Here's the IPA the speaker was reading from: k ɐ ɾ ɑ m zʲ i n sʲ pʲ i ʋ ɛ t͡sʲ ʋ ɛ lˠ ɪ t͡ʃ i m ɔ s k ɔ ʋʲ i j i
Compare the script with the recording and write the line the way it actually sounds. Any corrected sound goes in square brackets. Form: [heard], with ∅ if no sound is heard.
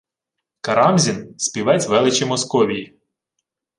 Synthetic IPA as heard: k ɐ ɾ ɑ m zʲ i n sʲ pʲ i ʋ ɛ t͡sʲ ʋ ɛ lˠ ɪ t͡ʃ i m ɔ s k ɔ ʋʲ i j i